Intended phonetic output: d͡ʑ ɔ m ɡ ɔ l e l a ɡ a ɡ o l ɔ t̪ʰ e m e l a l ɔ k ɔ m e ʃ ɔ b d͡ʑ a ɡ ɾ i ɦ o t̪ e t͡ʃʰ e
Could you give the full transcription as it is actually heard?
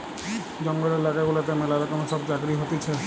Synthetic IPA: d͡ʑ ɔ ŋ ɡ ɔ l e l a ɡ a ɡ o l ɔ t̪ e m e l a ɾ ɔ k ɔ m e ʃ ɔ b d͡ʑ a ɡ ɾ i ɦ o t̪ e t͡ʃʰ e